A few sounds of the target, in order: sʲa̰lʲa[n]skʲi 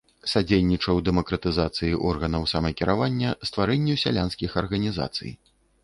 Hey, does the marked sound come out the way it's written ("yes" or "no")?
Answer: yes